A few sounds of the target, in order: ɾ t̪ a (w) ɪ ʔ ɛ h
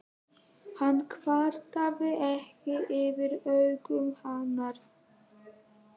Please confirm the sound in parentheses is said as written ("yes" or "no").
no